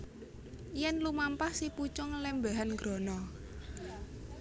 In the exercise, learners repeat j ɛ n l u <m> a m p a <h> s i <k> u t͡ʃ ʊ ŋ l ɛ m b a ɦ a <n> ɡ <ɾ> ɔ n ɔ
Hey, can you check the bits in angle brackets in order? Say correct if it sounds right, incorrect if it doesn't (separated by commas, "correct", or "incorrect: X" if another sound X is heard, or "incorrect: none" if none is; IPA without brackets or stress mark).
correct, correct, incorrect: p, correct, correct